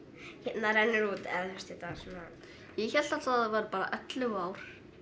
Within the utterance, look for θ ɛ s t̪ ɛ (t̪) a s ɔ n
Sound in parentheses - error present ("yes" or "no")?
no